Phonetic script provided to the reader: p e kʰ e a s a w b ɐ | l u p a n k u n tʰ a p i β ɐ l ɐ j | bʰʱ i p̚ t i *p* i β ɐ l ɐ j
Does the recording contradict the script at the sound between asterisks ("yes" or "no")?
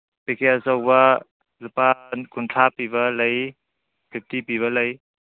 no